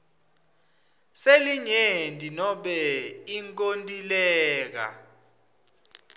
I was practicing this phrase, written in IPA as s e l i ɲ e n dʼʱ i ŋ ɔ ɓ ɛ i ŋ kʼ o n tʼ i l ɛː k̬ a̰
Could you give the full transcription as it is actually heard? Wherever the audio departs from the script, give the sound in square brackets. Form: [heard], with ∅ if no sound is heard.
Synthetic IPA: s e l i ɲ e n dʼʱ i [n] ɔ ɓ ɛ i ŋ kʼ o n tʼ i l ɛː k̬ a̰

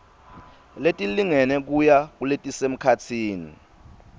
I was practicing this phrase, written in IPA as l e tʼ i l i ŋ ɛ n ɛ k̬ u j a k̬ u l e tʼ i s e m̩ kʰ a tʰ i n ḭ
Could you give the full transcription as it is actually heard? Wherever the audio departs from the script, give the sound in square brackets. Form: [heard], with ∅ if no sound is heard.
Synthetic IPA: l e tʼ i l i ŋ ɛ n ɛ k̬ u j a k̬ u l e tʼ i s e m̩ kʰ a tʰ [iː] n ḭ

